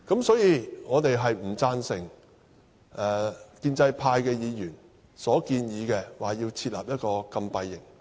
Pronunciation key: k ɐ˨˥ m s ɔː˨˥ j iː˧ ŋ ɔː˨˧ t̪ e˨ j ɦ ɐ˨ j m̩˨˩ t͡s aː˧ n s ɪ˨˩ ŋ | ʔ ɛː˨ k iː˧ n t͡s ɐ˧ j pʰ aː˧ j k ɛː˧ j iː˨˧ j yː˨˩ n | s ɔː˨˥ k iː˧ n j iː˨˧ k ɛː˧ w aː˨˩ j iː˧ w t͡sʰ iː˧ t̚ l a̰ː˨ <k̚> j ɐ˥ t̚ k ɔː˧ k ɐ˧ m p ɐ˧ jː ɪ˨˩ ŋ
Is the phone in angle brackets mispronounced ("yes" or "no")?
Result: yes